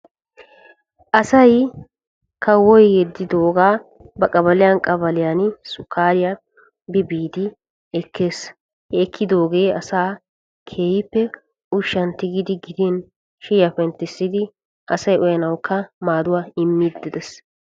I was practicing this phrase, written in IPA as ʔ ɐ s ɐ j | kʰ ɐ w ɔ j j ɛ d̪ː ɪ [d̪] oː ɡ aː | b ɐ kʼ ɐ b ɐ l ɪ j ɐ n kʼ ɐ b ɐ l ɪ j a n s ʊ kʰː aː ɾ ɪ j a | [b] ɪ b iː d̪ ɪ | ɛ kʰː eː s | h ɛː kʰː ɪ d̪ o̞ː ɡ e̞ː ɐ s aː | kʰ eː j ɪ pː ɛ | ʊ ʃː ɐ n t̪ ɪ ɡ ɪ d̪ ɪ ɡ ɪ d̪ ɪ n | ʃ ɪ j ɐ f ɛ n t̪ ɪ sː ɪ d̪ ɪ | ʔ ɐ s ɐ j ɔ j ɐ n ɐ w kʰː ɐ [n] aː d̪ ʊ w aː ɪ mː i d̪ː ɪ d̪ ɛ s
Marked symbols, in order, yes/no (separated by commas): yes, yes, no